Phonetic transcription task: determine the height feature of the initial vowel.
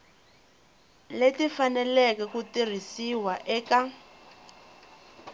mid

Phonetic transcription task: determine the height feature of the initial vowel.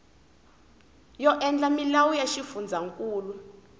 mid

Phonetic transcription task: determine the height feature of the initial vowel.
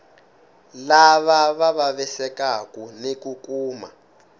low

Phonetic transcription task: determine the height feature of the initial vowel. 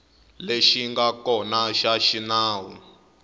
mid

